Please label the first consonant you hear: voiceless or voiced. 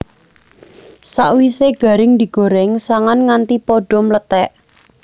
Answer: voiceless